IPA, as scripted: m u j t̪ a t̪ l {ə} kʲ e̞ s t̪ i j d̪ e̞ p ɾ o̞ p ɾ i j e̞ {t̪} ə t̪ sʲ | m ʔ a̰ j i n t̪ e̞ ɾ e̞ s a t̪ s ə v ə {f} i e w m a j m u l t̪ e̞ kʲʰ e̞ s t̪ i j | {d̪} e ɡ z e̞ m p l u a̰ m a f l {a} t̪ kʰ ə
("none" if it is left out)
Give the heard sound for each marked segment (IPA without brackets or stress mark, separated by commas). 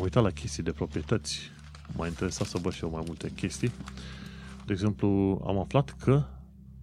a, t̪, ʃ, d̪, a